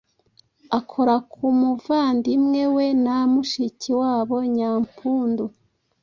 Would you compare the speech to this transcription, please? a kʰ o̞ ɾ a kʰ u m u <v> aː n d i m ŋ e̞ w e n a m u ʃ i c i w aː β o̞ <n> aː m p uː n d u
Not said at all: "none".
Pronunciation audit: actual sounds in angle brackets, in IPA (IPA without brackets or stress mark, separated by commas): v, ɲ